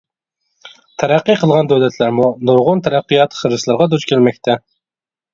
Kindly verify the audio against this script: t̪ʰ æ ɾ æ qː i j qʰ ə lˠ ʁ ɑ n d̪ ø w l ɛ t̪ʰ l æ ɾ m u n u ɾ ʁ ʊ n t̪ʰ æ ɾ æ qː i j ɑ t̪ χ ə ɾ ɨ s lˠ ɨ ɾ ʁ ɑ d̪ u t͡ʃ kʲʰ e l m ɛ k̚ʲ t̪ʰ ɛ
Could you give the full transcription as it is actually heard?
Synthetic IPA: t̪ʰ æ ɾ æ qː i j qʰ ə lˠ ʁ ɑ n d̪ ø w l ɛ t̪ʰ l æ ɾ m u n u ɾ ʁ ʊ n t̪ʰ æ ɾ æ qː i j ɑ t̪ χ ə ɾ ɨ s lˠ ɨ ɾ ʁ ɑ d̪ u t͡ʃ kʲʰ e l m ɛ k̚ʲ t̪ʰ ɛ